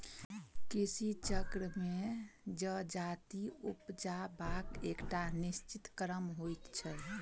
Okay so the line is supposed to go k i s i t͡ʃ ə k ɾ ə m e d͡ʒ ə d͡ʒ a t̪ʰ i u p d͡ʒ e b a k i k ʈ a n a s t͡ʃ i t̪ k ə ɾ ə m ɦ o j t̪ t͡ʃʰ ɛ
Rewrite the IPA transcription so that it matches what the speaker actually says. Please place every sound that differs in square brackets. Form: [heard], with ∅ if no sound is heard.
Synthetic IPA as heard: k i s i t͡ʃ ə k ɾ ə m e d͡ʒ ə d͡ʒ a [t̪] i u p d͡ʒ [a] b a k [e] k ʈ a n [i] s t͡ʃ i t̪ k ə ɾ ə m ɦ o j t̪ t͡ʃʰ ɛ